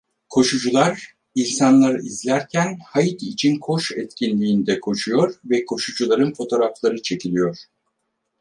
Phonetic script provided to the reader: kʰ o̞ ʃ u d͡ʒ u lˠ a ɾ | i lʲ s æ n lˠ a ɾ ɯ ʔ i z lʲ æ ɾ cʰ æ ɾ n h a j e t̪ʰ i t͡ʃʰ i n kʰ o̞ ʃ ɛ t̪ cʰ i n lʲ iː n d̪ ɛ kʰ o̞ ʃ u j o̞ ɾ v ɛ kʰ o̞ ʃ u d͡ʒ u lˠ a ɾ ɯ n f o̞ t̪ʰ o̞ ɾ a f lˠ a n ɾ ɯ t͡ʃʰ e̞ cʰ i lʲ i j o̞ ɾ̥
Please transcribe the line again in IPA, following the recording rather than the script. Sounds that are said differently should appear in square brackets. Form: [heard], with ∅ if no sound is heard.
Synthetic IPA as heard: kʰ o̞ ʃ u d͡ʒ u lˠ a ɾ | i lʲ s [a] n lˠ a ɾ ɯ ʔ i z lʲ æ ɾ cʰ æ [∅] n h a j [i] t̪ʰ i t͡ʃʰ i n kʰ o̞ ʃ ɛ t̪ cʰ i n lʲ iː n d̪ ɛ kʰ o̞ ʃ u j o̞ ɾ v ɛ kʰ o̞ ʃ u d͡ʒ u lˠ a ɾ ɯ n f o̞ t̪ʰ o̞ ɾ a f lˠ a [∅] ɾ ɯ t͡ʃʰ e̞ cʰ i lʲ i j o̞ ɾ̥